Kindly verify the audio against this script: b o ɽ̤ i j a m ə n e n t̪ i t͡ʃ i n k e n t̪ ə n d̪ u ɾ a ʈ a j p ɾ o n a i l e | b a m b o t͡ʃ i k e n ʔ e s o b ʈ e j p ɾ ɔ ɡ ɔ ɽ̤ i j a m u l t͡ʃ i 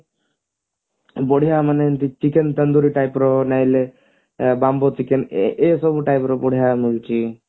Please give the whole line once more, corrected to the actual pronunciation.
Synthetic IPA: b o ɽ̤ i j a m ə n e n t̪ i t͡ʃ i k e n t̪ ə n d̪ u ɾ i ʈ a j p ɾ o n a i l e | b a m b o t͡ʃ i k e n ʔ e s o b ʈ a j p ɾ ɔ b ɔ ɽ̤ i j a m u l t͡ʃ i